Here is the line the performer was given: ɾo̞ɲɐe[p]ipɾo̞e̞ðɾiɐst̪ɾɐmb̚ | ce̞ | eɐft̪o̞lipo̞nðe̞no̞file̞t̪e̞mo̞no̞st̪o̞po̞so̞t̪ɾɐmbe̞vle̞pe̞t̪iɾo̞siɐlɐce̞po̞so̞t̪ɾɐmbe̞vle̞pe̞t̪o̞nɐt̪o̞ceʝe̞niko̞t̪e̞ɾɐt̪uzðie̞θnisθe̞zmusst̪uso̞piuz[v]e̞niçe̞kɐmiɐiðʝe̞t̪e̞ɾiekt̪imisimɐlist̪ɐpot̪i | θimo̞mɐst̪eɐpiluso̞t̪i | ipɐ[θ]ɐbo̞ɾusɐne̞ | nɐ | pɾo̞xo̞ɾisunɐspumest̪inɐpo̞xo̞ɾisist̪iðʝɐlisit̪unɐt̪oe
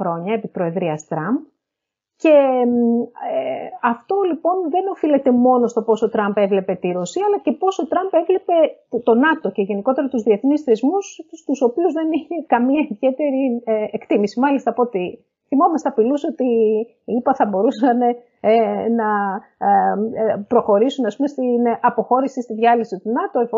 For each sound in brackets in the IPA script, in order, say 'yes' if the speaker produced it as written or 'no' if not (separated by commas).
yes, no, yes